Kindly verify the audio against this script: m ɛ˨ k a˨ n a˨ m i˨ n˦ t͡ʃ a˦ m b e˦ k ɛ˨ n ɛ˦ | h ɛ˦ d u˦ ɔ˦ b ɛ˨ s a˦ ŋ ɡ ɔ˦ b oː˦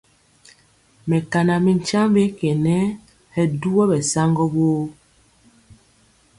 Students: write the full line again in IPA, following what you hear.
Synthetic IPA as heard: m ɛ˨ k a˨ n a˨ m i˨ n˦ t͡ʃ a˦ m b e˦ k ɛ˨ n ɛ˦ | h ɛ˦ d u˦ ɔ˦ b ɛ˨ s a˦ ŋ ɡ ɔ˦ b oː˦